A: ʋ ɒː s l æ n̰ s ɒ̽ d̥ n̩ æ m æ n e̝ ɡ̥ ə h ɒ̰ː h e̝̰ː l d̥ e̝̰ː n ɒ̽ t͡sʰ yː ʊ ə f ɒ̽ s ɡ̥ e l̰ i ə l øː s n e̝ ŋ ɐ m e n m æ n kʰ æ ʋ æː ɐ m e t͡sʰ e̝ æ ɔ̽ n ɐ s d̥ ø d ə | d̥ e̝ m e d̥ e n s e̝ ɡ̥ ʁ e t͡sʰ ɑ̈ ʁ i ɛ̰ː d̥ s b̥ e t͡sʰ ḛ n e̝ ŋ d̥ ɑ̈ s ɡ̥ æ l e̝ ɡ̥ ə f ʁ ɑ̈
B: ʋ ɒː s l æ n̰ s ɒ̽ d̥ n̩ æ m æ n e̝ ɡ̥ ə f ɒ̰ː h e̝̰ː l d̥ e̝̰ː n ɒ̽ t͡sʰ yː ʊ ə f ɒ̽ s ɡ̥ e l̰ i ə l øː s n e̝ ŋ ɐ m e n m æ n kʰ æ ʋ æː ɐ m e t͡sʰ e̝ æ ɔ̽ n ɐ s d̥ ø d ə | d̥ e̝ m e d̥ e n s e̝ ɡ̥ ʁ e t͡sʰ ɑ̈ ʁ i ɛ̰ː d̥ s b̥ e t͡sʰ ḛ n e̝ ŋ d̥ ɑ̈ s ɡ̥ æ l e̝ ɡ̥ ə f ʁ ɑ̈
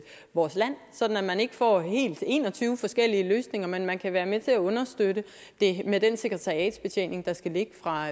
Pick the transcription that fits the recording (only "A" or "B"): B